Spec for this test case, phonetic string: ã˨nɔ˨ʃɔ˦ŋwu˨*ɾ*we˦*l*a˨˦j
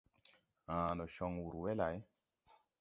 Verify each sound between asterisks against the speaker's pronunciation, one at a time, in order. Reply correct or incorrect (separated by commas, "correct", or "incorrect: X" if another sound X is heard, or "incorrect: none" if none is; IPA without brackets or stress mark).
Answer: correct, correct